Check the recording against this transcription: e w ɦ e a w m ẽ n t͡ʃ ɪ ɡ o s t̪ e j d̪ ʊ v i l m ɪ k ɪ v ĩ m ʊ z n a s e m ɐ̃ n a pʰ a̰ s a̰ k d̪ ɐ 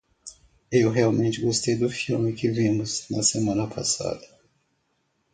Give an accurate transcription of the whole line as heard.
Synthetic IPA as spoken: e w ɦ e a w m ẽ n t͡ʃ ɪ ɡ o s t̪ e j d̪ ʊ f i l m ɪ k ɪ v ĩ m ʊ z n ɐ s e m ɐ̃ n ɐ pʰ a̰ s a̰ d̪ ɐ